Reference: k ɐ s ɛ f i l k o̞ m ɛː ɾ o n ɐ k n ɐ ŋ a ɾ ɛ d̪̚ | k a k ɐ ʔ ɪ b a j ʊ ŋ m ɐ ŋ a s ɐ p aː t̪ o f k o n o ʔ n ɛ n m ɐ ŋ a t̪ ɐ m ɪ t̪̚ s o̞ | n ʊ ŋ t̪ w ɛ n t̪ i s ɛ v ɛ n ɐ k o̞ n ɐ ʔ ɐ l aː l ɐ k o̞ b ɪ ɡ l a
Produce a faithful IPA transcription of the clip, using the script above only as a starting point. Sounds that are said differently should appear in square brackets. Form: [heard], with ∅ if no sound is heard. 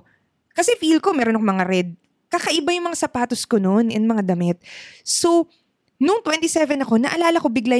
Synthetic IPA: k ɐ s ɛ f i l k o̞ m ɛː ɾ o n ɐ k [m] ɐ ŋ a ɾ ɛ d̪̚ | k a k ɐ ʔ ɪ b a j ʊ ŋ m ɐ ŋ a s ɐ p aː t̪ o [s] k o n o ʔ n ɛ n m ɐ ŋ a [d̪] ɐ m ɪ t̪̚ s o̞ | n ʊ ŋ t̪ w ɛ n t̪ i s ɛ v ɛ n ɐ k o̞ n ɐ ʔ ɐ l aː l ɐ k o̞ b ɪ ɡ l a